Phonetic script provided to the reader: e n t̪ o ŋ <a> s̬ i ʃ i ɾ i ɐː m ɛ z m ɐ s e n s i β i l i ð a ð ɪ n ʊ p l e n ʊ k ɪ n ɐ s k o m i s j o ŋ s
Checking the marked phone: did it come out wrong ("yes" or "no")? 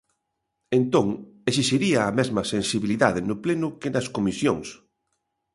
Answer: yes